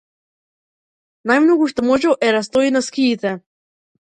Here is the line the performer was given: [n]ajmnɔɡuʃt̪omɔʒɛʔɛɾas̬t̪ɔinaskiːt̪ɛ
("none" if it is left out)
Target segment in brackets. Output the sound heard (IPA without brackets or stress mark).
n